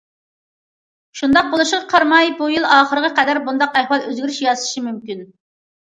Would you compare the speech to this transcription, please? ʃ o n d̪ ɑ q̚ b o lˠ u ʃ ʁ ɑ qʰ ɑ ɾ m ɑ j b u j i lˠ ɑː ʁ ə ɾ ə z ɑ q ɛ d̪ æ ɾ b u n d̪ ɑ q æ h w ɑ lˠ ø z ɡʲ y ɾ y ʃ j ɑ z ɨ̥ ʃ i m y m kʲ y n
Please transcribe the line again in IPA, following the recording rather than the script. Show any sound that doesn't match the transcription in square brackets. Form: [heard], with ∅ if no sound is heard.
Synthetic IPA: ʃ [u] n d̪ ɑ q̚ b o lˠ u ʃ ʁ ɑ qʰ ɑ ɾ m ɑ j b u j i lˠ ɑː [χ] ə ɾ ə [ʁ] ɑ q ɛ d̪ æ ɾ b u n d̪ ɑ q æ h w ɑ lˠ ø z ɡʲ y ɾ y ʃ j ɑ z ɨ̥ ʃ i m y m kʲ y n